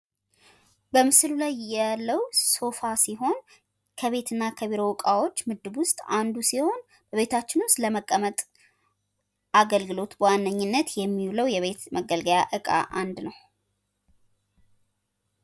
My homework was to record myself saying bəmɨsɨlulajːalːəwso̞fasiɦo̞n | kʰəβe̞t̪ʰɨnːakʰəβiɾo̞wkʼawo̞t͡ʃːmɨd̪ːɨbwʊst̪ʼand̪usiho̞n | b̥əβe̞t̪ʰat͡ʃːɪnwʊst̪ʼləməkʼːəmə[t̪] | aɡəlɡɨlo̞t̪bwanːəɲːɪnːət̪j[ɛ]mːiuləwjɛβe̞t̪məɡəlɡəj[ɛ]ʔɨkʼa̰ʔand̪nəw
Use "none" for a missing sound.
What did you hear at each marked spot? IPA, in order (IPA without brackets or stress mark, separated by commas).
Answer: t̪ʼ, ɛ, a